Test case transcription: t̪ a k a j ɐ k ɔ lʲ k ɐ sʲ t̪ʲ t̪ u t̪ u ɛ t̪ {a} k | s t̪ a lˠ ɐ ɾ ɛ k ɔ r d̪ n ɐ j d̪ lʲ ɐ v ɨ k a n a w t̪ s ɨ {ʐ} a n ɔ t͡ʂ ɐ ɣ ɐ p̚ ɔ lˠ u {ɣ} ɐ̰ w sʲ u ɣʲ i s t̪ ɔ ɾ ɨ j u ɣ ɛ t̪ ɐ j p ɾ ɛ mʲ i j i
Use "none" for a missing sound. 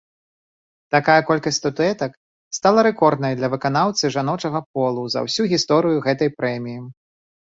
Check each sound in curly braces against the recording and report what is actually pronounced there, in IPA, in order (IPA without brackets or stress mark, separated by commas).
ɐ, ʐ, z